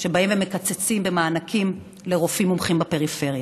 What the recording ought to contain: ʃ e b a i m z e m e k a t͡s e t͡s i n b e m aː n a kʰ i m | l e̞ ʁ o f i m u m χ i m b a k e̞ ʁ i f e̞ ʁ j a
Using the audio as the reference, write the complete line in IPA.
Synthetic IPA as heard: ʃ e b a i m v e m e k a t͡s e t͡s i m b e m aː n a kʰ i m | l e̞ ʁ o f i m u m χ i m b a p e̞ ʁ i f e̞ ʁ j a